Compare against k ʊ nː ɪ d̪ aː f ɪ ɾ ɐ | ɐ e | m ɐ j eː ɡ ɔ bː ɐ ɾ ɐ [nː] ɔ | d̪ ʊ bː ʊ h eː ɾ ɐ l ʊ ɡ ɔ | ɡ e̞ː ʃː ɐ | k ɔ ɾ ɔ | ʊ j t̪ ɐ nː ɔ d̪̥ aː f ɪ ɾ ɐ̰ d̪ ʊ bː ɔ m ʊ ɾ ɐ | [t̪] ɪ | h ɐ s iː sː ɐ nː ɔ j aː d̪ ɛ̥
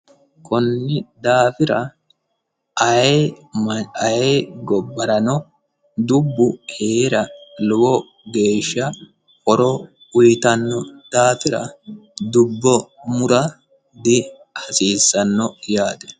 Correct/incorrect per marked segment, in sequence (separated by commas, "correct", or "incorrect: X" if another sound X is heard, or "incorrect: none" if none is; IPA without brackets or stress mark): incorrect: n, incorrect: d̪